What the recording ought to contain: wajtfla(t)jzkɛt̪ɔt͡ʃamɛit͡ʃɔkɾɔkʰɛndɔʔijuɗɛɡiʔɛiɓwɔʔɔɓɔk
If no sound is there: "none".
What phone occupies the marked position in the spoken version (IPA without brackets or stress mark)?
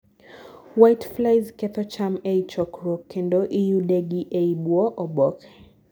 none